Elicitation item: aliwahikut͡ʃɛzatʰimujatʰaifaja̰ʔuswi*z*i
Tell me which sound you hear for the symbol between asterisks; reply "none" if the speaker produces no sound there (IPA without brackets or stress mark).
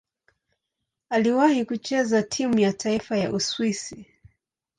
s